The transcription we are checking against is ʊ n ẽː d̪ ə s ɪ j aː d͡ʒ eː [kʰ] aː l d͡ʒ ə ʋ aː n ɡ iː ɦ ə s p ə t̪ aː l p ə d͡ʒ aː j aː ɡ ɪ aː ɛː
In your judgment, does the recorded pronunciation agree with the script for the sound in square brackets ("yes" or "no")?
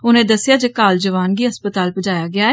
no